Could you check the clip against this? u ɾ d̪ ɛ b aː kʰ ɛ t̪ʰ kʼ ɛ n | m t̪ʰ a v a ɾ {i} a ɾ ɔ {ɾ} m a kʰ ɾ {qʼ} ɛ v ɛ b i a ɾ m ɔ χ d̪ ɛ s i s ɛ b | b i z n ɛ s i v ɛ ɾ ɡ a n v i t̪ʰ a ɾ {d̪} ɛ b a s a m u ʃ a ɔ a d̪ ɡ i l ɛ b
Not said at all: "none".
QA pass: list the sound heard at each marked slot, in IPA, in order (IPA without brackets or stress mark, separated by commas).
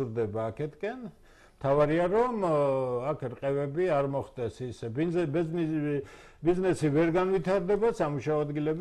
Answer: i, none, qʼ, d̪